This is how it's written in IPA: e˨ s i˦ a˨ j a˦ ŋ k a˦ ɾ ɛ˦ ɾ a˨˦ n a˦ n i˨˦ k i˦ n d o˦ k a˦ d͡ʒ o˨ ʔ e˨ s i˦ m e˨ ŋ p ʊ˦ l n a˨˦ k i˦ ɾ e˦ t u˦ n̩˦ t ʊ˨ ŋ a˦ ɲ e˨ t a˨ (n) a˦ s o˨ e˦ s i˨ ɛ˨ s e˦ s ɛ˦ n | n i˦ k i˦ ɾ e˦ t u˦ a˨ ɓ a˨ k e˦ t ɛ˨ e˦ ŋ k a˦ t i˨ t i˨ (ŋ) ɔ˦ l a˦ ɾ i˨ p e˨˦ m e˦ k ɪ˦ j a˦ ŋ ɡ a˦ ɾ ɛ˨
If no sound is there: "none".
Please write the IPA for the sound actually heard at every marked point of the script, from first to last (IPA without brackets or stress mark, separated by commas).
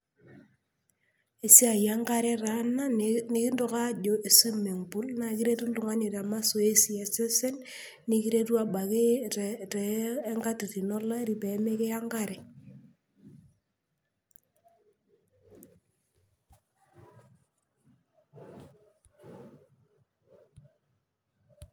m, n